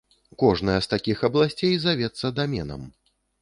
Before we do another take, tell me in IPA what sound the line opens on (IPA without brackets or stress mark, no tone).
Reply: k